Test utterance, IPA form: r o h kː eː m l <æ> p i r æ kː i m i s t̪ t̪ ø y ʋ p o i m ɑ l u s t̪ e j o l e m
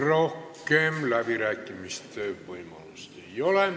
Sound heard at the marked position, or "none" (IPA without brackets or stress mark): æ